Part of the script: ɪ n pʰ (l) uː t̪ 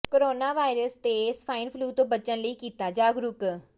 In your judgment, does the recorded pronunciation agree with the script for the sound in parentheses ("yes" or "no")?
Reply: yes